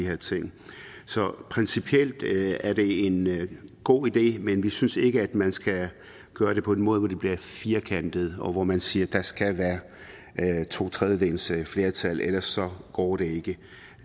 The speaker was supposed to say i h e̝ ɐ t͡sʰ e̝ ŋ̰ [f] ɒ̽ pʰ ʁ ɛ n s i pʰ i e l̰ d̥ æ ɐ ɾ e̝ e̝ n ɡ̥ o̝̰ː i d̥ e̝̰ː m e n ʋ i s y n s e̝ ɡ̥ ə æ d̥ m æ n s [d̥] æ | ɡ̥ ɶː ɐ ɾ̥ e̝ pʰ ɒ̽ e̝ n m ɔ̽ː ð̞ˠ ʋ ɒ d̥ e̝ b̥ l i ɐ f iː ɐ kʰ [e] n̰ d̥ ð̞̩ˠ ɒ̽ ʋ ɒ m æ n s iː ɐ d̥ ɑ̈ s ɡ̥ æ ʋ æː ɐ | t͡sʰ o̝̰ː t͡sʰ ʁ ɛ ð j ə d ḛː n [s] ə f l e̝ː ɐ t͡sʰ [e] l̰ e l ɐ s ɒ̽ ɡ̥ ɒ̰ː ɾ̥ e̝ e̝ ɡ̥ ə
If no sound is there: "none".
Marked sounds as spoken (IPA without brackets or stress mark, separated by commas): s, ɡ̥, æ, s, æ